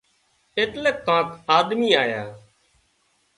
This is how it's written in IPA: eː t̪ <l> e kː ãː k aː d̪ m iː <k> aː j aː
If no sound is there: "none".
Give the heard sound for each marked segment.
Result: l, none

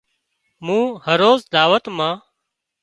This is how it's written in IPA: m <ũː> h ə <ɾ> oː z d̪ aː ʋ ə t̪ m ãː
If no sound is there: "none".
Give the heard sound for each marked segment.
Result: ũː, ɾ

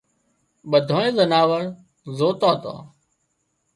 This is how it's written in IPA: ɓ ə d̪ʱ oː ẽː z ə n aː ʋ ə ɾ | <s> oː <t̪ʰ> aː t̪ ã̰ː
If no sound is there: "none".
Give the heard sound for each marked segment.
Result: z, t̪

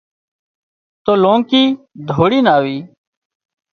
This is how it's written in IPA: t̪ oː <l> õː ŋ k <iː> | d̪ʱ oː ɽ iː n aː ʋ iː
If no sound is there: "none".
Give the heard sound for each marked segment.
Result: l, iː

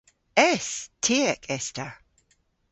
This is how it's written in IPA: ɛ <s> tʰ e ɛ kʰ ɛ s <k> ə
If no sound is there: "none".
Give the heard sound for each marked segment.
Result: s, t

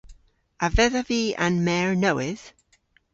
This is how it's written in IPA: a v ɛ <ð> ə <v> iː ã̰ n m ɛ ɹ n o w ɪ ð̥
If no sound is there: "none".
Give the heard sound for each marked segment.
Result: ð, v

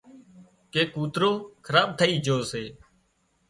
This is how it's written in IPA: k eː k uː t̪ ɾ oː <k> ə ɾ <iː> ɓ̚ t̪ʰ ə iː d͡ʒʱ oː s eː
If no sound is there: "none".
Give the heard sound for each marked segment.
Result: kʰ, aː

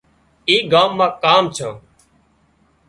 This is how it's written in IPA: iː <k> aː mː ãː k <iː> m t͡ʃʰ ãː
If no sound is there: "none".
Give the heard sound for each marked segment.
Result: ɡ, aː

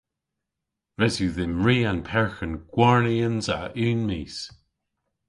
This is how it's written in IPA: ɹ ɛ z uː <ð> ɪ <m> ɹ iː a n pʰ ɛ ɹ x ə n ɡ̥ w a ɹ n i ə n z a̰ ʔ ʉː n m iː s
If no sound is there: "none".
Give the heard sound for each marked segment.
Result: ð, m

